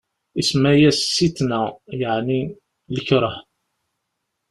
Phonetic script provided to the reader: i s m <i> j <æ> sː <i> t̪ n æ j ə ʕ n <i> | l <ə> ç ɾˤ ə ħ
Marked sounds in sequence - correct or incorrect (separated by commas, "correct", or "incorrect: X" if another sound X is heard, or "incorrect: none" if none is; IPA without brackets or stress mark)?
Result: incorrect: æ, correct, correct, correct, correct